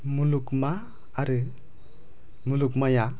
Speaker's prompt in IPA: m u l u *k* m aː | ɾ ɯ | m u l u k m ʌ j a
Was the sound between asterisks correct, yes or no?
yes